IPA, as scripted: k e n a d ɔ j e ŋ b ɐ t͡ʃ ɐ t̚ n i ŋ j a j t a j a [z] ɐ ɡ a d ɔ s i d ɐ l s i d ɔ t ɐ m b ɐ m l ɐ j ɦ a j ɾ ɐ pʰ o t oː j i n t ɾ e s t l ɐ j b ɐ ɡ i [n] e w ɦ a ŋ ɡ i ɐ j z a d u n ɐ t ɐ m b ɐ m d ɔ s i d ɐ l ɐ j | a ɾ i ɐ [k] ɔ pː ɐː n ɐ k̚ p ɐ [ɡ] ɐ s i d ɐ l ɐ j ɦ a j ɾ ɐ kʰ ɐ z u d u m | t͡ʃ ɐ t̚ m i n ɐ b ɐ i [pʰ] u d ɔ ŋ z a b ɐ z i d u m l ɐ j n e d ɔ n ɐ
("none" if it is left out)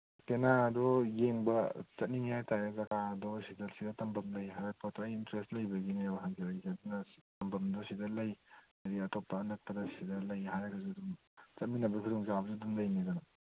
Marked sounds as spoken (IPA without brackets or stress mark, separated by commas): z, n, t, d, kʰ